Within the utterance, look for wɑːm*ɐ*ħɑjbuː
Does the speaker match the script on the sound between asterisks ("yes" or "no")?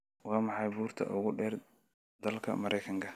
no